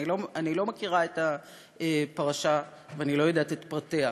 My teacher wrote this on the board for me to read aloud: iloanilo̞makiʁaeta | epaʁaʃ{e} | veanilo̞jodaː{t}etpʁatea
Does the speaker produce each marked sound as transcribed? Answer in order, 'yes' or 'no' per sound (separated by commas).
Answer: no, yes